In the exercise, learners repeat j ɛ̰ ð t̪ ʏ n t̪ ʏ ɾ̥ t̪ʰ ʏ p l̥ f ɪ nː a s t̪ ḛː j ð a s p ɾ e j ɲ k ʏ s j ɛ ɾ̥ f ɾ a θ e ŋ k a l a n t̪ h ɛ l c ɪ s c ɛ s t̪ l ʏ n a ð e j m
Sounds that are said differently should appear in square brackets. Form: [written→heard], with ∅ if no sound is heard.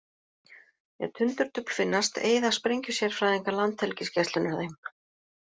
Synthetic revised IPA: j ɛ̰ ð [t̪→t̪ʰ] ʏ n t̪ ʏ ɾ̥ [t̪ʰ→t̪] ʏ p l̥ f ɪ nː a s t̪ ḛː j ð a s p ɾ e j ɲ [k→c] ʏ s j ɛ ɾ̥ f ɾ a [θ→ð] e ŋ k a l a n t̪ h ɛ l c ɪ s c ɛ s t̪ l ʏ n a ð e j m